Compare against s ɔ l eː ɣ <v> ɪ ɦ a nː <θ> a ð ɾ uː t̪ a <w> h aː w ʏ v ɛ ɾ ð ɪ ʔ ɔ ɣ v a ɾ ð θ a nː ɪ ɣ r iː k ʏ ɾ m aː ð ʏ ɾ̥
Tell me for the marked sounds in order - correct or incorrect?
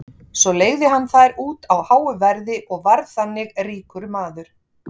incorrect, correct, correct

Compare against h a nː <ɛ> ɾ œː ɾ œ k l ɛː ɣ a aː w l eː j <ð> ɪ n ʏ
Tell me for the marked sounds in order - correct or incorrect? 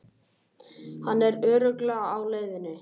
correct, correct

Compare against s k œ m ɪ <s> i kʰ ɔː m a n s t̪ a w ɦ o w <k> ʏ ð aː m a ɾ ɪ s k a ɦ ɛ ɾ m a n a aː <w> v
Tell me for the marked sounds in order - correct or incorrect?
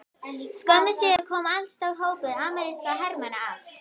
correct, incorrect, incorrect

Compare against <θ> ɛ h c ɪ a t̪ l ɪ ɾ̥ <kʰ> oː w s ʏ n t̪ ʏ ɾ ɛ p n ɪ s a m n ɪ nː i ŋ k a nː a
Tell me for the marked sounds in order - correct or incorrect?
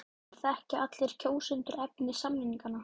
correct, incorrect

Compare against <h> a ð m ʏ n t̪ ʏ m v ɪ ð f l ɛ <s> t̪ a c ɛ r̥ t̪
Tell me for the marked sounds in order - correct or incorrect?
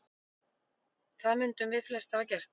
incorrect, correct

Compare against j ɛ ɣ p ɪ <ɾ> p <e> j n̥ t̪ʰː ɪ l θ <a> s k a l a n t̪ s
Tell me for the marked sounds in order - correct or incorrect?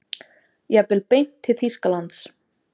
incorrect, correct, incorrect

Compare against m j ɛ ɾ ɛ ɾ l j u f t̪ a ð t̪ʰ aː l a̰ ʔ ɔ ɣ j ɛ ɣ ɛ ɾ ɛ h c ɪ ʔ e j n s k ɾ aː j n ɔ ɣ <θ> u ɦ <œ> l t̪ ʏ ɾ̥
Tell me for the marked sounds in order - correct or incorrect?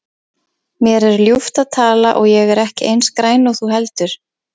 correct, incorrect

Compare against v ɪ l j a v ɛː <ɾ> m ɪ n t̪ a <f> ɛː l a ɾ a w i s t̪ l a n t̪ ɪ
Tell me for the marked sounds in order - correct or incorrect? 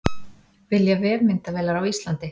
correct, incorrect

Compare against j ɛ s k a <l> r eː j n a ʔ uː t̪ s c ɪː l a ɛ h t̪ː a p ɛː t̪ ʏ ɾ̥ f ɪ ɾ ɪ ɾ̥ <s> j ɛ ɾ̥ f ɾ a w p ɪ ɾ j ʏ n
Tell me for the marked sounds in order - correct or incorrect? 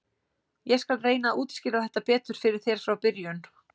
correct, incorrect

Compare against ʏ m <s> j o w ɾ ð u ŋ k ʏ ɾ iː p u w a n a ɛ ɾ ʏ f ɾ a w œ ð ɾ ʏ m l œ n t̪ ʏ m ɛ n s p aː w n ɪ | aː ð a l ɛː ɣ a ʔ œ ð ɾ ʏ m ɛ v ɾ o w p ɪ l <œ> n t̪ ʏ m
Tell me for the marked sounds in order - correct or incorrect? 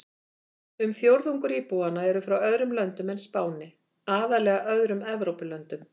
incorrect, correct

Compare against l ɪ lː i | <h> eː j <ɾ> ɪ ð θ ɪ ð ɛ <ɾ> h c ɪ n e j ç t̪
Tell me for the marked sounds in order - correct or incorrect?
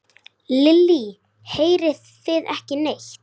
correct, correct, incorrect

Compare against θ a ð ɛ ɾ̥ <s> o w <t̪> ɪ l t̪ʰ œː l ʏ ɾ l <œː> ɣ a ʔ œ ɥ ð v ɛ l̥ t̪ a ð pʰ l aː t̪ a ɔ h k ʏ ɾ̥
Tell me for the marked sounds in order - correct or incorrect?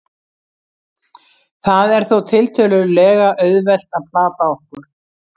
incorrect, incorrect, incorrect

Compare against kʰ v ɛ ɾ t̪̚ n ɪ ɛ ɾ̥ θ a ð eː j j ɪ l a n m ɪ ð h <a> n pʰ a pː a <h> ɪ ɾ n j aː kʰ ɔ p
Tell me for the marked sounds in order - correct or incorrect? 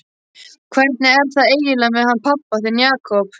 correct, incorrect

